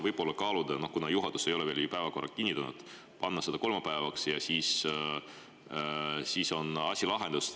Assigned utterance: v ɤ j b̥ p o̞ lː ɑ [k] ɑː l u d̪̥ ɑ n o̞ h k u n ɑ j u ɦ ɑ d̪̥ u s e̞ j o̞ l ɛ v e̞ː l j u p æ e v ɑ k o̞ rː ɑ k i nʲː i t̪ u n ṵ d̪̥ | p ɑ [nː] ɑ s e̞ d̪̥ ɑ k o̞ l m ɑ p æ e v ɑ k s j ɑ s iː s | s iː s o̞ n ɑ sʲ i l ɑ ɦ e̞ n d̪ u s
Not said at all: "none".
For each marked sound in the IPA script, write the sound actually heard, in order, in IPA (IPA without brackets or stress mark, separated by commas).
k, nː